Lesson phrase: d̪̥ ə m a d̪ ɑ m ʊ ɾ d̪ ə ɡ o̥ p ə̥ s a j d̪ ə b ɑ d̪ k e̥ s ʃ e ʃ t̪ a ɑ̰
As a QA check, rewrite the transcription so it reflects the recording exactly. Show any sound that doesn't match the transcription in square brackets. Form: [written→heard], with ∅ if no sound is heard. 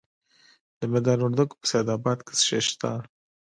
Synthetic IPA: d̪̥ ə m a d̪ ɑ [m→n] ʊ ɾ d̪ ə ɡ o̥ p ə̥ s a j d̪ [ə→ɑ] b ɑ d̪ k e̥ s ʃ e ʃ t̪ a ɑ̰